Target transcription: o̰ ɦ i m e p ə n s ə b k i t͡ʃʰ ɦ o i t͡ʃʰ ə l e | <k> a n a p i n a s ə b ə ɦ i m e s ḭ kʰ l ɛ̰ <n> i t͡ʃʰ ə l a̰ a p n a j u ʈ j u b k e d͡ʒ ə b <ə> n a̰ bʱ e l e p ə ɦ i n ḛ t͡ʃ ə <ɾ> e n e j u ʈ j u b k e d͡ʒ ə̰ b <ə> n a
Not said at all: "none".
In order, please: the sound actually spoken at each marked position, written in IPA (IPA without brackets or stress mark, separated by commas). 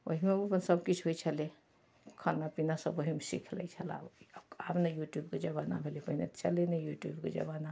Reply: kʰ, none, a, l, a